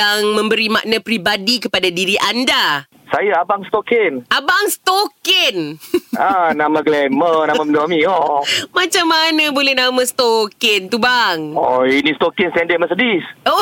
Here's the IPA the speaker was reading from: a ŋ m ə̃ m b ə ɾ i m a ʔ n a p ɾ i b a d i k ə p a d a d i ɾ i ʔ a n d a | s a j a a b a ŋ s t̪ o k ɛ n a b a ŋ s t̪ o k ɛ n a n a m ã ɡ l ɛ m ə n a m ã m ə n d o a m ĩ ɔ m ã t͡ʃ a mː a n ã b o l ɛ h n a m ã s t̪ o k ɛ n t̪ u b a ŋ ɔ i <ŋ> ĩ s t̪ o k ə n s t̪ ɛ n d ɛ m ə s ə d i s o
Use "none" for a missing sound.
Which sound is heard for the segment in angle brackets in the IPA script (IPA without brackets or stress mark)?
n